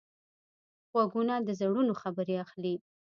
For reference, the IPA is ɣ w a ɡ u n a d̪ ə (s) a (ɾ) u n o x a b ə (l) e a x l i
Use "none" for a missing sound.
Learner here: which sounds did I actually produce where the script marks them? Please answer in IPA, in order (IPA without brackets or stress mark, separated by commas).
z, ɽ, ɾ